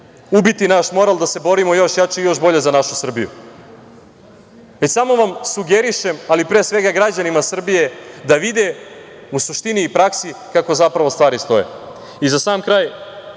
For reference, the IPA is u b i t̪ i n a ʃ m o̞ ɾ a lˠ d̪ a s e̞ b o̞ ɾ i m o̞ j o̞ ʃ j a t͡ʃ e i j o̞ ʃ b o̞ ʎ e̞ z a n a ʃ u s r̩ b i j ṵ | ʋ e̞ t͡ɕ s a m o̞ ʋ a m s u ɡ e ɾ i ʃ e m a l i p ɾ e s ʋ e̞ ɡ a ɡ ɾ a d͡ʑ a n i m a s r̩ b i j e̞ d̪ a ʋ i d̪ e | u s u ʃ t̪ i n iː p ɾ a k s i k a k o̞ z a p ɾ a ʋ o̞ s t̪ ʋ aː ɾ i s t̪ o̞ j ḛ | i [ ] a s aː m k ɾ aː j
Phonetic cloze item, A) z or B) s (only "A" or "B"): A